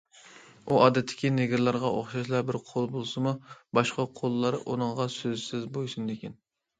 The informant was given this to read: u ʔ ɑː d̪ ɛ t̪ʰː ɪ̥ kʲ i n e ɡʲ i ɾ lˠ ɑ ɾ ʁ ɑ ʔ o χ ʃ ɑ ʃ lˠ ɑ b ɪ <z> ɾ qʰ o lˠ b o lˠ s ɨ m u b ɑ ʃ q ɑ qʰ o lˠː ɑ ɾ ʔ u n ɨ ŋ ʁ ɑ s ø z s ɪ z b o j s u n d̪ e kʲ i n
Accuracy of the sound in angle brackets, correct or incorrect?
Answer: incorrect